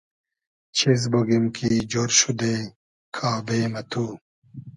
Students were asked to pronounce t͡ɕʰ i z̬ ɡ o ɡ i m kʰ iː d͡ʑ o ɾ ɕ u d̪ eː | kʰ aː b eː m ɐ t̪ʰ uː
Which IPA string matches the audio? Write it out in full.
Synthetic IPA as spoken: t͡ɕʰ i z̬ b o ɡ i m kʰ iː d͡ʑ o ɾ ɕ u d̪ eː | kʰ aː b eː m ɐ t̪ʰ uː

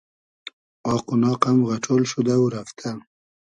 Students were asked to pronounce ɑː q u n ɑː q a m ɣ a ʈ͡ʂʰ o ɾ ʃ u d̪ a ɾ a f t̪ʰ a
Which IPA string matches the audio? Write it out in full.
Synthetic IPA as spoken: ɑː q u n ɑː q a m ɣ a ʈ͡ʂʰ o l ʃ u d̪ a ɾ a f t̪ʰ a

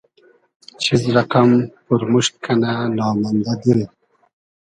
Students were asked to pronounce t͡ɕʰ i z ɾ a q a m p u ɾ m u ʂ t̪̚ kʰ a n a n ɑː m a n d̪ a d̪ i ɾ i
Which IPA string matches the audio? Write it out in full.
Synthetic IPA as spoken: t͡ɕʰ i z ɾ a q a m p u ɾ m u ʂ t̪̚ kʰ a n a n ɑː m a n d̪ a d̪ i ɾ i

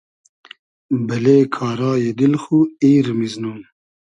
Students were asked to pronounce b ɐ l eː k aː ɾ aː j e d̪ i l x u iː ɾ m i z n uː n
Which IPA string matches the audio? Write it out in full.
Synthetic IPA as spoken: b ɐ l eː kʰ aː ɾ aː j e d̪ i l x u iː ɾ m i z n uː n

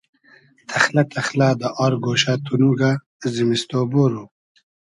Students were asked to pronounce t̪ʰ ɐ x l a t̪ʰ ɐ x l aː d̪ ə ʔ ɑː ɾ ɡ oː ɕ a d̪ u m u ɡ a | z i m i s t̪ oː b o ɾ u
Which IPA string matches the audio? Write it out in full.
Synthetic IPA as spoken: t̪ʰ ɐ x l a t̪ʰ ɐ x l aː d̪ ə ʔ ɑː ɾ ɡ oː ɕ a t̪ u n u ɡ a | z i m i s t̪ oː b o ɾ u

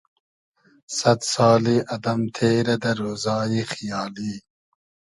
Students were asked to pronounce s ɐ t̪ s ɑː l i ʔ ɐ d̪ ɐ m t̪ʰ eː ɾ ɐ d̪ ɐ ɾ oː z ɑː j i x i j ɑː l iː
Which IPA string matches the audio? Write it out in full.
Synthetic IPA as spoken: s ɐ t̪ s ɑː l i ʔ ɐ d̪ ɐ m t̪ʰ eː ɾ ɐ d̪ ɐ ɾ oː z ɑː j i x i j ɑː l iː

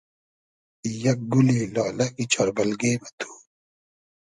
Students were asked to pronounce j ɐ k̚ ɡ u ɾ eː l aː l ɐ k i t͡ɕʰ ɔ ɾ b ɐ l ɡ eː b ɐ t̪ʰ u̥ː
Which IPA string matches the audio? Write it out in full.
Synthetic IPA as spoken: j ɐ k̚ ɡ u l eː l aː l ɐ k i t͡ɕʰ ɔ ɾ b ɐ l ɡ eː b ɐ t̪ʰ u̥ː

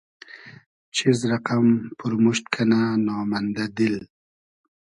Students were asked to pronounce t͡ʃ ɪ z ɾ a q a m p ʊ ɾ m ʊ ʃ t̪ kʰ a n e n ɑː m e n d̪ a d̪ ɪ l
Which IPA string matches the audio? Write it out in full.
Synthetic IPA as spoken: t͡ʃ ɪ z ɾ a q a m p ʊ ɾ m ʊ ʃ t̪ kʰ a n a n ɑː m a n d̪ a d̪ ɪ l

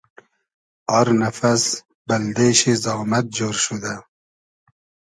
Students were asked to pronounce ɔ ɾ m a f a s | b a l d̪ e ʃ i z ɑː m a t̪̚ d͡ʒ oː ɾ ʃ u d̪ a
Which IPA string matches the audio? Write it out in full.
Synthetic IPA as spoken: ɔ ɾ n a f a s | b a l d̪ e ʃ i z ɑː m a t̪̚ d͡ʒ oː ɾ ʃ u d̪ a

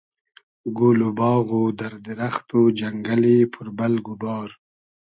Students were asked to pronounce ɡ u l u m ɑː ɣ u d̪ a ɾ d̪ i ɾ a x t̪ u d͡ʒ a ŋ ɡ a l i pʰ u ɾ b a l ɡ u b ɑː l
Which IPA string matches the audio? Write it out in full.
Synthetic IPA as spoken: ɡ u l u b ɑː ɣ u d̪ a ɾ d̪ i ɾ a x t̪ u d͡ʒ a ŋ ɡ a l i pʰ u ɾ b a l ɡ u b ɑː ɾ

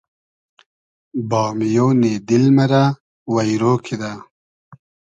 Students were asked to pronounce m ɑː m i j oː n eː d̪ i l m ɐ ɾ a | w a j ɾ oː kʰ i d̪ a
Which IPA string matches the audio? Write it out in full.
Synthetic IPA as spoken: b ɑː m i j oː n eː d̪ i l m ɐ ɾ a | w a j ɾ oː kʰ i d̪ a

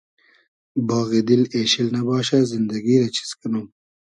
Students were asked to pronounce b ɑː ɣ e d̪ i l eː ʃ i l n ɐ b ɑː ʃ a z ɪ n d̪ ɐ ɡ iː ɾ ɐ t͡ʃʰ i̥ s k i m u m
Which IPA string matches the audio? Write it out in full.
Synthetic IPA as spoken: b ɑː ɣ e d̪ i l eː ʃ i l n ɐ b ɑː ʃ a z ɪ n d̪ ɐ ɡ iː ɾ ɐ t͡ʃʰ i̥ s k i n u m

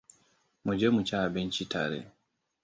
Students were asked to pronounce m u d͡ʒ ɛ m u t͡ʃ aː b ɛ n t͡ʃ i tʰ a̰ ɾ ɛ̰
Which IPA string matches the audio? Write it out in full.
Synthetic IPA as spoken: m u d͡ʒ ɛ m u t͡ʃ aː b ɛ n t͡ʃ i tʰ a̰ ɾ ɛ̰

